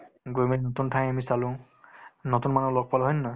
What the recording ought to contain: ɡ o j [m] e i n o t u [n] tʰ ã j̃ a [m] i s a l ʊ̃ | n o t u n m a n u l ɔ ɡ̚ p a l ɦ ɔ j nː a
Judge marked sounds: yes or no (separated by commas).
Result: yes, yes, yes